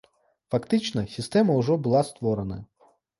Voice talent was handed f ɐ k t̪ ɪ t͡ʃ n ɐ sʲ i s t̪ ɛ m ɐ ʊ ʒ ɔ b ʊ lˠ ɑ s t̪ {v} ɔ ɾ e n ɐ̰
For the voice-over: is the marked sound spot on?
no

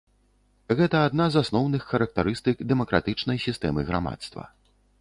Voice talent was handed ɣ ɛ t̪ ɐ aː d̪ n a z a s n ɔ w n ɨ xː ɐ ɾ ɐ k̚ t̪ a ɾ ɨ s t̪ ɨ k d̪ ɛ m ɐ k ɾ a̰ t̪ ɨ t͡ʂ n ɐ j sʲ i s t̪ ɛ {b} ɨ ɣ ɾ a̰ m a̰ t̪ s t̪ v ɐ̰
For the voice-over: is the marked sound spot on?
no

